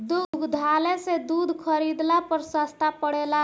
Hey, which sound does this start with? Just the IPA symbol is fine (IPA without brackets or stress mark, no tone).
d̪